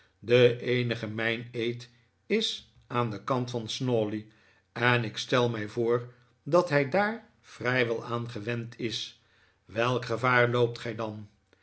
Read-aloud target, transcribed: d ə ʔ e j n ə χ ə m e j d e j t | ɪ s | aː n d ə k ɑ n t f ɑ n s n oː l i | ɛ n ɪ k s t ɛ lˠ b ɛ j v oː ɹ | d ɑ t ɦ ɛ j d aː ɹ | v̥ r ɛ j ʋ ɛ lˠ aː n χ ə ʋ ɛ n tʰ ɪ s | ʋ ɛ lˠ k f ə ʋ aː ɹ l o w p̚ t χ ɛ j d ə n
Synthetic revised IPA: d ə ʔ e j n ə χ ə m ɛ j n e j t | ɪ s | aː n d ə k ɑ n t f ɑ n s n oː l i | ɛ n ɪ k s t ɛ lˠ m ɛ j v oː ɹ | d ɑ t ɦ ɛ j d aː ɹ | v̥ r ɛ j ʋ ɛ lˠ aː n χ ə ʋ ɛ n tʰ ɪ s | ʋ ɛ lˠ k χ ə v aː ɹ l o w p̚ t χ ɛ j d ɑ n